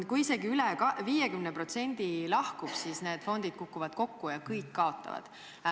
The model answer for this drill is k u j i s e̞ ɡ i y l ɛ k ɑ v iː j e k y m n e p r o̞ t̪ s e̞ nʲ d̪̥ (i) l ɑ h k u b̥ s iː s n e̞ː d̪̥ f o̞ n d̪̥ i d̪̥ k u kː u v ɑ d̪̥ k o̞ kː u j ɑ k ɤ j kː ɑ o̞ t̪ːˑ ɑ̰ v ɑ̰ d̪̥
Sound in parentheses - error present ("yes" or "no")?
no